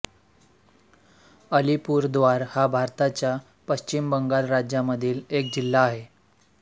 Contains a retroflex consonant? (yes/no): no